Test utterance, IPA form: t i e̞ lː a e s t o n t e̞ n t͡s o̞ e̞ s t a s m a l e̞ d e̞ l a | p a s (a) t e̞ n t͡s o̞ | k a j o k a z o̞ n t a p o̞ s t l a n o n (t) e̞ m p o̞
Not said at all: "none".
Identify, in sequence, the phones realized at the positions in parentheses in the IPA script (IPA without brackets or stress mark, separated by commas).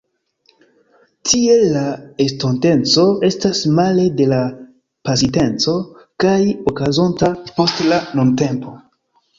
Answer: i, t